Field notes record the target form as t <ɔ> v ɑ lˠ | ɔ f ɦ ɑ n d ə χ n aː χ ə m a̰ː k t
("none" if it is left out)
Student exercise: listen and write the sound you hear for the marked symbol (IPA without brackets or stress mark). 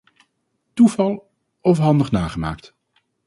u